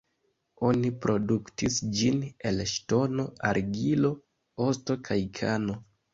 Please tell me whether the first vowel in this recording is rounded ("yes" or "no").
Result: yes